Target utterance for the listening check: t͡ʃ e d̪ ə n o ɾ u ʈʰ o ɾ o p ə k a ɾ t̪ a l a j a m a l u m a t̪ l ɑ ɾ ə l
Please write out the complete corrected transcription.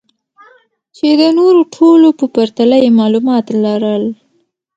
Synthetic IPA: t͡ʃ e d̪ ə n o ɾ o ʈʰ o l o p ə p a ɾ t̪ a l a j e m ɑ l u m ɑ t̪ l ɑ ɾ ə l